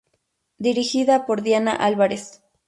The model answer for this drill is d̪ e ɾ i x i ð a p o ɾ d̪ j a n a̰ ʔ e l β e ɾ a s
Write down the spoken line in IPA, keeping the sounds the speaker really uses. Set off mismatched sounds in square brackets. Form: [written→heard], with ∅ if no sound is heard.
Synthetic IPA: d̪ [e→i] ɾ i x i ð a p o ɾ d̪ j a n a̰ ʔ [e→a] l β [e→a] ɾ [a→e] s